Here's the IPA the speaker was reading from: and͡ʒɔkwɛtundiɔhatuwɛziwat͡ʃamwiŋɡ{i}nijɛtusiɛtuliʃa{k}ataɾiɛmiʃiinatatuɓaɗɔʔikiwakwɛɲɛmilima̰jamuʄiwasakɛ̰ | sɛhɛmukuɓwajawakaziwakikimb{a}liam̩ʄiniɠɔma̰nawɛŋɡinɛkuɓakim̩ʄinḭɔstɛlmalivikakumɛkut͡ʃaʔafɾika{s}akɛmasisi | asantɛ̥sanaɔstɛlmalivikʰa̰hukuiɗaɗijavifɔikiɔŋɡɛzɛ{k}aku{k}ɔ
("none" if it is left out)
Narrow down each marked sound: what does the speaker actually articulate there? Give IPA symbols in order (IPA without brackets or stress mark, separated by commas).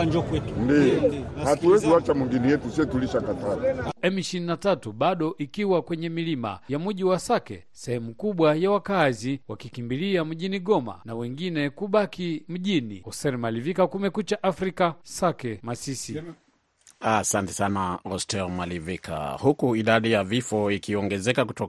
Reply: i, k, i, s, k, t